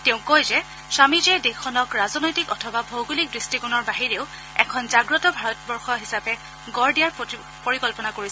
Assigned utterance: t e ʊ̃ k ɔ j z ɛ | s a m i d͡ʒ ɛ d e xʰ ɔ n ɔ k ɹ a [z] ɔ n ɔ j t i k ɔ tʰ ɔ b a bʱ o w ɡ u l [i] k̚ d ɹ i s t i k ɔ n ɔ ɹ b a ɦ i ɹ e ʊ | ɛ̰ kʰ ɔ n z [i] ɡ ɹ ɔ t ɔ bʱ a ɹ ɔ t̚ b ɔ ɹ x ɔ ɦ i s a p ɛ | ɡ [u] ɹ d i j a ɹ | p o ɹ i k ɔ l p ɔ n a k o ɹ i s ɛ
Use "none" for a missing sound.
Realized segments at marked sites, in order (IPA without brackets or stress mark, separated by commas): z, i, a, ɔ